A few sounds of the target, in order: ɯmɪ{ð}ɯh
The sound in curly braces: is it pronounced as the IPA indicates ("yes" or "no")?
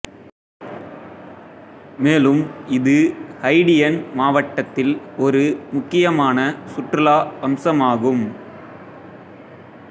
yes